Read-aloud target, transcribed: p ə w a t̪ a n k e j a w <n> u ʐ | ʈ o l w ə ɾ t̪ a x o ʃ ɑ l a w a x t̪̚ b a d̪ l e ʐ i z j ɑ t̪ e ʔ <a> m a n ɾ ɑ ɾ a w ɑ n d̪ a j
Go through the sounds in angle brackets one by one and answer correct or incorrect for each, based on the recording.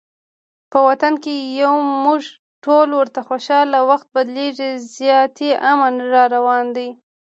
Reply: incorrect: m, correct

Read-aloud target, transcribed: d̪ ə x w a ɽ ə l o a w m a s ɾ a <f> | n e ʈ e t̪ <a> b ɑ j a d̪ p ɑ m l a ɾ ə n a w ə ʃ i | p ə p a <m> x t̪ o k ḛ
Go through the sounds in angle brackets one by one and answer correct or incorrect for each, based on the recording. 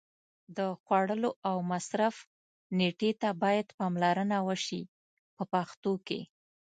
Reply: correct, correct, incorrect: none

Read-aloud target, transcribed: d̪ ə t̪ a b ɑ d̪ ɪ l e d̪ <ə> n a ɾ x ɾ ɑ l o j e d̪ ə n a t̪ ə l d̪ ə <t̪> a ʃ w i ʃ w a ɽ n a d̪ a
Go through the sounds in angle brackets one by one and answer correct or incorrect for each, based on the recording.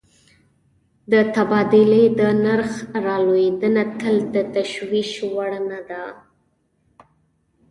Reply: correct, correct

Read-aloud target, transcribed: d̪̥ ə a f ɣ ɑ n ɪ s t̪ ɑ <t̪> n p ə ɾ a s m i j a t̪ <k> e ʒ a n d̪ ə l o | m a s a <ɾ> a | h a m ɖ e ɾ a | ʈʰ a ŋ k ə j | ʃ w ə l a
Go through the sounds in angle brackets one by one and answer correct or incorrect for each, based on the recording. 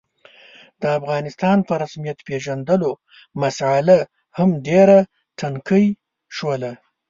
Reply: incorrect: none, incorrect: p, incorrect: l

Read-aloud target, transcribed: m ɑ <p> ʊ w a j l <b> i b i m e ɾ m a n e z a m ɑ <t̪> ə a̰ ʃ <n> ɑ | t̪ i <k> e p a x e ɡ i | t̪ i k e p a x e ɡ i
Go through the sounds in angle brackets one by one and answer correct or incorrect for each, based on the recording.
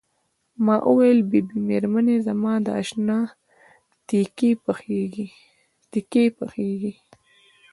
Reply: incorrect: ʔ, correct, incorrect: d̪, correct, correct

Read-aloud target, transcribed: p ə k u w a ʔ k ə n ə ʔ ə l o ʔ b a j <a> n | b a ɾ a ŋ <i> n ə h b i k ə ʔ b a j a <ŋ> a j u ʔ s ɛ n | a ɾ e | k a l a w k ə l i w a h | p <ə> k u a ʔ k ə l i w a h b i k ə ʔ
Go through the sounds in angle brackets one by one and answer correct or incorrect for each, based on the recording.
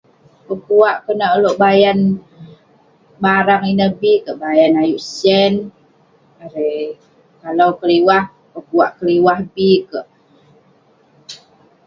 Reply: correct, correct, incorrect: n, correct

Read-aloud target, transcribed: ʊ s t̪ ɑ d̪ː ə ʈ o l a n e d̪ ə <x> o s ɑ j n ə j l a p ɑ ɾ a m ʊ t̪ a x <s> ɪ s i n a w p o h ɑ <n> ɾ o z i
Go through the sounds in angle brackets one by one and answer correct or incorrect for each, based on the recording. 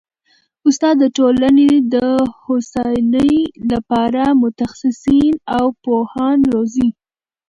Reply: incorrect: h, correct, correct

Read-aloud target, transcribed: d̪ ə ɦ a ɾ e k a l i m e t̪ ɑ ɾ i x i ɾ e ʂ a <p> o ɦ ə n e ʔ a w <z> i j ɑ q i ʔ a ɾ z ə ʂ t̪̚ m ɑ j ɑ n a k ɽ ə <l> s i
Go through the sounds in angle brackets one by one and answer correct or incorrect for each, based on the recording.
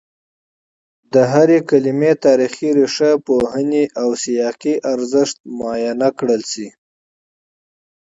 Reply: correct, incorrect: s, correct

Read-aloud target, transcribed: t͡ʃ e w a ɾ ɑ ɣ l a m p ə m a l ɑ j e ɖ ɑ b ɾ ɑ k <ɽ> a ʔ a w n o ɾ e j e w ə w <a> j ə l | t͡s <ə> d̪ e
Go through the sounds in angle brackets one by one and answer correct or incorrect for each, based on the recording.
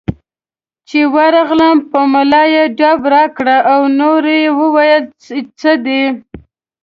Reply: correct, correct, correct

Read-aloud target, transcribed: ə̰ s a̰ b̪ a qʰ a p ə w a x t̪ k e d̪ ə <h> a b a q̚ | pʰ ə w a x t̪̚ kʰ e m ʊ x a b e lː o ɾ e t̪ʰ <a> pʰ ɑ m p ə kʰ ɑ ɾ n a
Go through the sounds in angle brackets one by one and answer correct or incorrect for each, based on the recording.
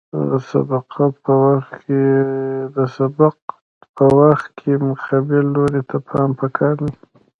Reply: incorrect: s, correct

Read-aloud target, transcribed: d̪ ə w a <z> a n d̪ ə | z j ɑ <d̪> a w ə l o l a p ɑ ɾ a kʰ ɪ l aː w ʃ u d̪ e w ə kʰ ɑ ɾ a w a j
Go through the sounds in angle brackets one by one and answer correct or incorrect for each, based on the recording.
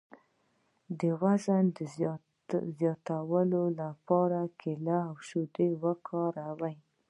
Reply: correct, incorrect: t̪

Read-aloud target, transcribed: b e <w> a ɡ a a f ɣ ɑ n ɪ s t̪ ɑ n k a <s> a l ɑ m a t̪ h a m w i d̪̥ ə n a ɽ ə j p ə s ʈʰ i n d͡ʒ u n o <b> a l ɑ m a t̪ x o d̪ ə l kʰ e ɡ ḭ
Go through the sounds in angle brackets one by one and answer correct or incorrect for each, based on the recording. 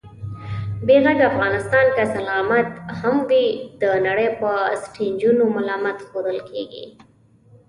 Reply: incorrect: ɣ, correct, incorrect: m

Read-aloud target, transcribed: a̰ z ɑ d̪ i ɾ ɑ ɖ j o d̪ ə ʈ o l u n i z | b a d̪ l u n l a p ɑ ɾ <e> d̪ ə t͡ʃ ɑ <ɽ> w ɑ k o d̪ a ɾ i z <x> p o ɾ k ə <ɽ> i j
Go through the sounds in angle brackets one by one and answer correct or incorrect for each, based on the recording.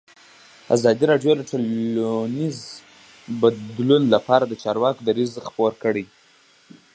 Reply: incorrect: a, incorrect: ɾ, correct, correct

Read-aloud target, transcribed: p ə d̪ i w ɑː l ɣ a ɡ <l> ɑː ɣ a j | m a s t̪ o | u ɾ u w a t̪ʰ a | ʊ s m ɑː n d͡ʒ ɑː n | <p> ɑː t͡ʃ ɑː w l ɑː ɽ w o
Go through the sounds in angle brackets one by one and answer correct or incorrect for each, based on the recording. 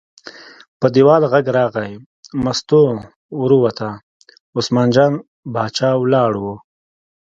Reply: incorrect: ɾ, incorrect: b

